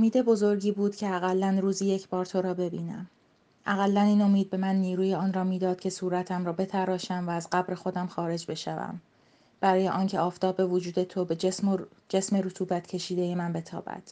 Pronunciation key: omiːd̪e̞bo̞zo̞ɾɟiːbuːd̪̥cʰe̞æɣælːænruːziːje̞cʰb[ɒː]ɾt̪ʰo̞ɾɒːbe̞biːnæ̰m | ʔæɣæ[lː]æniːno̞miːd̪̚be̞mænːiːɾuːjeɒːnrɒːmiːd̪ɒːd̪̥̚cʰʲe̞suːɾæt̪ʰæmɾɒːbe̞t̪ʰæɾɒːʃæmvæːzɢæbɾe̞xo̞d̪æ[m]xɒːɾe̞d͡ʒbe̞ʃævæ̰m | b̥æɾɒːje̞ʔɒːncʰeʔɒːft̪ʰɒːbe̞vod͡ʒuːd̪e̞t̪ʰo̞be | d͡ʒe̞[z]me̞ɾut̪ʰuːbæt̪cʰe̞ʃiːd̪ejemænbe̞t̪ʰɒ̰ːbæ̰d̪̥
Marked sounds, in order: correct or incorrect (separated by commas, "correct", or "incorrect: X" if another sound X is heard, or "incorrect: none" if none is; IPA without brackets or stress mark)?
correct, correct, correct, incorrect: s